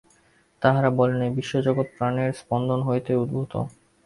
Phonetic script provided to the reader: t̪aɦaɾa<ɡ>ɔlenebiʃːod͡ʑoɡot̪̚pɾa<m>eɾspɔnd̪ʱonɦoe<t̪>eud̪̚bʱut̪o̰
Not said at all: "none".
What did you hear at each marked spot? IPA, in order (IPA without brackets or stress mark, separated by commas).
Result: b, n, t̪